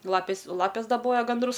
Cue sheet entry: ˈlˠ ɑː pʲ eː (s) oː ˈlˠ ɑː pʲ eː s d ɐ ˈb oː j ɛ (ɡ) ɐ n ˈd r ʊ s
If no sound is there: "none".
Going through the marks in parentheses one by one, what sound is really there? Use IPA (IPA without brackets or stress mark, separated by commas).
s, ɡ